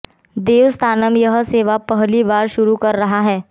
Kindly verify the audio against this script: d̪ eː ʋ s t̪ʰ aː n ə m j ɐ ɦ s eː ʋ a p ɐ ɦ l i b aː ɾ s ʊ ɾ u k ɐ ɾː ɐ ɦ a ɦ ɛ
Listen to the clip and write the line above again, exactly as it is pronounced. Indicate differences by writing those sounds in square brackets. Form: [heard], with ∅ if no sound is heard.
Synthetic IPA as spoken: d̪ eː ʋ s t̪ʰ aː n ə m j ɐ ɦ s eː ʋ a p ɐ ɦ l i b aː ɾ [ʃ] ʊ ɾ u k ɐ ɾː ɐ ɦ a ɦ [ɛː]